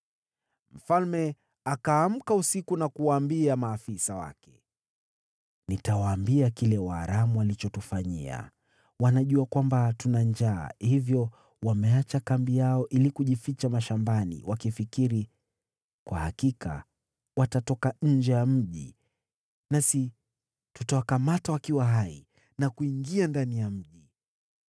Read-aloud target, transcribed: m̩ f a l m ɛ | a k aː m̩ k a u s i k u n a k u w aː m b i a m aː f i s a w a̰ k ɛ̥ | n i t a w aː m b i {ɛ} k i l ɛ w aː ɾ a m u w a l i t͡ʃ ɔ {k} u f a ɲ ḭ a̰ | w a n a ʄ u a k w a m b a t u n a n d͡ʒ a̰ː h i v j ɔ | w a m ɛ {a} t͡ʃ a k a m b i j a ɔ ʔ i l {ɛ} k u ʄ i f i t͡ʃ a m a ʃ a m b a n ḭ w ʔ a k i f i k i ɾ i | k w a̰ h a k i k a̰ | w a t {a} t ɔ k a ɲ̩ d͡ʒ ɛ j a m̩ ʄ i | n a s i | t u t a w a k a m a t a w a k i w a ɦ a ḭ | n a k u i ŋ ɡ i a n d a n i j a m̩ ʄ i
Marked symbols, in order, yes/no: no, no, yes, no, yes

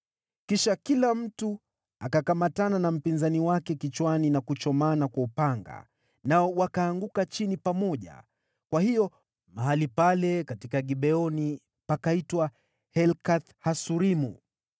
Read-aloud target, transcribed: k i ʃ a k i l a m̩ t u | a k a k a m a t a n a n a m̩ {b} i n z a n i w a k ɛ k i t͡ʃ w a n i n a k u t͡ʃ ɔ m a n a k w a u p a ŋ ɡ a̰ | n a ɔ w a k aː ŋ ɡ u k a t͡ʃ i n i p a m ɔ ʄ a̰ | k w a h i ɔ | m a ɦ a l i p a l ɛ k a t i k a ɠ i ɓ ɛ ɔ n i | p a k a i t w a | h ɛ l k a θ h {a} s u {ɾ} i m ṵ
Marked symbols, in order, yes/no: no, yes, yes

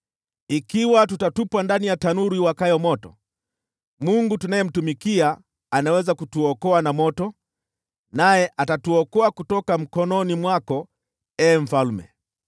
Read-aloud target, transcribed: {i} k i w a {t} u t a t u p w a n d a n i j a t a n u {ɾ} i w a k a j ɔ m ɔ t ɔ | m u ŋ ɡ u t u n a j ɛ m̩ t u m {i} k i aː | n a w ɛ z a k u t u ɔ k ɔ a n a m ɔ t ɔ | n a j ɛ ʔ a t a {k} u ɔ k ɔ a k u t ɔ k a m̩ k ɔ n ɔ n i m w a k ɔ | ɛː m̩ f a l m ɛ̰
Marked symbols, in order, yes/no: yes, yes, yes, yes, no

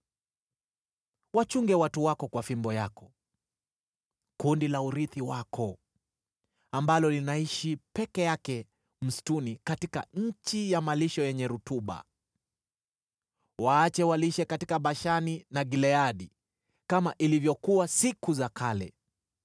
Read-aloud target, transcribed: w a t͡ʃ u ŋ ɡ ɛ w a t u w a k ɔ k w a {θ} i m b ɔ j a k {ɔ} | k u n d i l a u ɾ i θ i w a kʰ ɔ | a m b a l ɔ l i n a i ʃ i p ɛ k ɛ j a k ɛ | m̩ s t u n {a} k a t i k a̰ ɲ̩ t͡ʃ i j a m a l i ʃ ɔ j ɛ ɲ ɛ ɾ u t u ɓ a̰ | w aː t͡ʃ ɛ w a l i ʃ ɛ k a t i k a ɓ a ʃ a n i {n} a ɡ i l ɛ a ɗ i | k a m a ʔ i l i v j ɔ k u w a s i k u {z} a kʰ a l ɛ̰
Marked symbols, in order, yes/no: no, yes, no, yes, yes

